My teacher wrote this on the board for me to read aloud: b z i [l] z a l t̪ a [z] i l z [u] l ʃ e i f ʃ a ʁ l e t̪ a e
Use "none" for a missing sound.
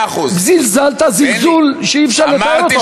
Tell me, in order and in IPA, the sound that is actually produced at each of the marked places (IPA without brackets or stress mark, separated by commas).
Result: l, z, u